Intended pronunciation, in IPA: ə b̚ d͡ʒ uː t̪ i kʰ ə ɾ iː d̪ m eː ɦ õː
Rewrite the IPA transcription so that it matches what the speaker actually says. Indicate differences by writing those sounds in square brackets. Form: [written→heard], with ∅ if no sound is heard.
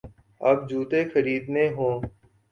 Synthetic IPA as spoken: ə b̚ d͡ʒ uː t̪ [i→e] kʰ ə ɾ iː d̪ [m→n] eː ɦ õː